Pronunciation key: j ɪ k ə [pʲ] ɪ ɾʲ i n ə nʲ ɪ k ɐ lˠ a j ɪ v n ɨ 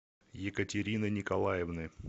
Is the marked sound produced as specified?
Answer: no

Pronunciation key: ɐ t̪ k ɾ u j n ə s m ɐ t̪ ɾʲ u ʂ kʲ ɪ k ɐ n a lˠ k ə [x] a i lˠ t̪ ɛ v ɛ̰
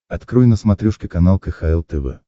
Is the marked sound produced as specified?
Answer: yes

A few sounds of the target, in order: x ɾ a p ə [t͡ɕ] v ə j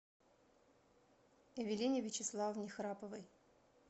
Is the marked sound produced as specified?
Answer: no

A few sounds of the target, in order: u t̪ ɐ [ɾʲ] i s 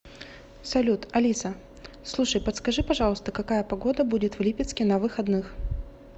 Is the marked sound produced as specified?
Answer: no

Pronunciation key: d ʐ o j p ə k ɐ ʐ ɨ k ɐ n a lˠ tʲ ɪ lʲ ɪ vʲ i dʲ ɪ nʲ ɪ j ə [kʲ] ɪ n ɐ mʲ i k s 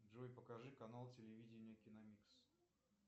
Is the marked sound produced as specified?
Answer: yes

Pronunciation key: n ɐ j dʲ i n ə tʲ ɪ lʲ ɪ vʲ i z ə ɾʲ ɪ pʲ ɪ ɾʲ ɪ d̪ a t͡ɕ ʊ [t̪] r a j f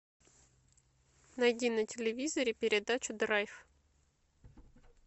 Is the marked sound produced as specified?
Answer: no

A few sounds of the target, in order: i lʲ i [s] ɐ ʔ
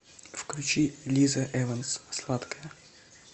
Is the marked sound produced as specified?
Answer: no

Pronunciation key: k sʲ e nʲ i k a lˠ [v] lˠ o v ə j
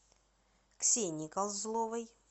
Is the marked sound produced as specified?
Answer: no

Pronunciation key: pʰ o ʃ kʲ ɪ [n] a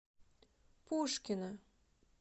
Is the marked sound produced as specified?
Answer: yes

